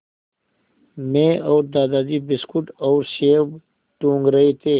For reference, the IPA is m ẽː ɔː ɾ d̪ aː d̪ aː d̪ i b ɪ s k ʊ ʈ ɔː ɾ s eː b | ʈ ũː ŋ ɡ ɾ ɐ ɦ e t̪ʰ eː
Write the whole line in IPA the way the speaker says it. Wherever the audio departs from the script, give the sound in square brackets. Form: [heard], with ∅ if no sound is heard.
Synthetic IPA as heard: m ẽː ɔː ɾ d̪ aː d̪ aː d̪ i b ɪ s k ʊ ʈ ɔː ɾ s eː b | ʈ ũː ŋ ɡ ɾ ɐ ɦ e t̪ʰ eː